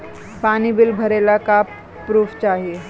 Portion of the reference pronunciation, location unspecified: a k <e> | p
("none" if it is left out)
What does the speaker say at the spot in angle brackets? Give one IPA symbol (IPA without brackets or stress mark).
a